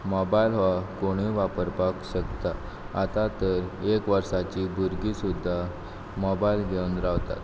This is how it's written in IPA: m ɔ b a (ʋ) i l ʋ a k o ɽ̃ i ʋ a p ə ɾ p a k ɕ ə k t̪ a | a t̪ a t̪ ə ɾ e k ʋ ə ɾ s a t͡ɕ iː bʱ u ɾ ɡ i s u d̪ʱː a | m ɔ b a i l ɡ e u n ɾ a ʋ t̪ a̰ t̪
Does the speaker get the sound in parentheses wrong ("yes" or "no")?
yes